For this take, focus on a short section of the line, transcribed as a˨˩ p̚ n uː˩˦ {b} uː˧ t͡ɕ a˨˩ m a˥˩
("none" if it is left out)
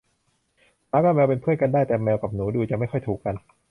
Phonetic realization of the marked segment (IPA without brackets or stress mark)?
d